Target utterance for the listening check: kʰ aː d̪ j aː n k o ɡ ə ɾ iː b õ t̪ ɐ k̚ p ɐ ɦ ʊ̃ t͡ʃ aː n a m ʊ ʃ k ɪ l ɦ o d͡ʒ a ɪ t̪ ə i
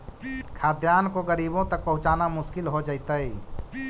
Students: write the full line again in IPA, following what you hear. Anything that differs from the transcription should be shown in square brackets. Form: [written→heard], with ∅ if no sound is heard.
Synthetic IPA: kʰ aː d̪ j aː n k o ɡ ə ɾ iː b õ t̪ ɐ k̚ p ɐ ɦ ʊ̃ t͡ʃ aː n a m ʊ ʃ k ɪ l ɦ o d͡ʒ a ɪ t̪ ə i